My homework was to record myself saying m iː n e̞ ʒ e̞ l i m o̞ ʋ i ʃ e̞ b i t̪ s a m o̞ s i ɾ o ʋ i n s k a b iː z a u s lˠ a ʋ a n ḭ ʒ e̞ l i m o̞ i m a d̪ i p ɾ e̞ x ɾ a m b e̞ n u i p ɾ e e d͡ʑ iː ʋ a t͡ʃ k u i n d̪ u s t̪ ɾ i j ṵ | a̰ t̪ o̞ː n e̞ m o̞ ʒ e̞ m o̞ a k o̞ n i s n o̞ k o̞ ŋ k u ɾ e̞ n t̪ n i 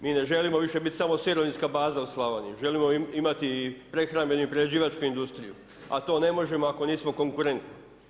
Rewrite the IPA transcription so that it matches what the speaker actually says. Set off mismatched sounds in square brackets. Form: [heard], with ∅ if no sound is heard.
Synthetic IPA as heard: m iː n e̞ ʒ e̞ l i m o̞ ʋ i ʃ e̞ b i t̪ s a m o̞ s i ɾ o ʋ i n s k a b [aː] z a u s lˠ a ʋ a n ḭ ʒ e̞ l i m o̞ i m a [t̪] i p ɾ e̞ x ɾ a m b e̞ n u i p ɾ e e d͡ʑ iː ʋ a t͡ʃ k u i n d̪ u s t̪ ɾ i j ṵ | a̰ t̪ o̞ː n e̞ m o̞ ʒ e̞ m o̞ a k o̞ n [iː] s [m] o̞ k o̞ ŋ k u ɾ e̞ n t̪ n i